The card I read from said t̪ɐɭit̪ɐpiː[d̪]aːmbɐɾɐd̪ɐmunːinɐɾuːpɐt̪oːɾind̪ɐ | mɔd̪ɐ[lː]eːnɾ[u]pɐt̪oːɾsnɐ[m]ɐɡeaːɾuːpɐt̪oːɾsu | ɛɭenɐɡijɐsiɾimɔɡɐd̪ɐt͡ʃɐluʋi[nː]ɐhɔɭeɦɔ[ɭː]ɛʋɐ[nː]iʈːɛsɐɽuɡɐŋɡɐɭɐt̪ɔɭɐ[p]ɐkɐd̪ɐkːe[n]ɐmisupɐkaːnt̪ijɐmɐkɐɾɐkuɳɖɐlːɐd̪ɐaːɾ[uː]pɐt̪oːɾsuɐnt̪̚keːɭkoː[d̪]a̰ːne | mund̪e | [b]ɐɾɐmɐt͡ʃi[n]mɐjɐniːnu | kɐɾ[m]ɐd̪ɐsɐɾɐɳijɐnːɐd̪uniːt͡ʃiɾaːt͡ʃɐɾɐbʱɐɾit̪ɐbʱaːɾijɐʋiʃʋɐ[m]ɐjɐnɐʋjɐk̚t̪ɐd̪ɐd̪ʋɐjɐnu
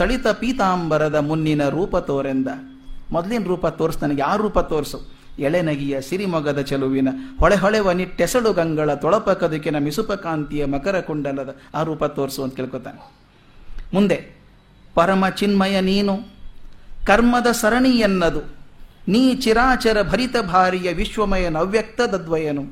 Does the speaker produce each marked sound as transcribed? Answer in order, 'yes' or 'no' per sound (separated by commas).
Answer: no, no, no, no, no, no, no, yes, yes, yes, no, no, yes, yes, yes